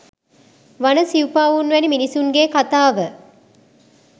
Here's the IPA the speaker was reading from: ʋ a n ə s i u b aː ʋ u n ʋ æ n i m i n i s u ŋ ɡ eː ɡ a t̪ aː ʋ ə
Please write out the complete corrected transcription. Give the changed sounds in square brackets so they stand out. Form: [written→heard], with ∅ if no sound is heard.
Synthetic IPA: ʋ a n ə s i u [b→p] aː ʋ u n ʋ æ n i m i n i s u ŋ ɡ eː [ɡ→k] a t̪ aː ʋ ə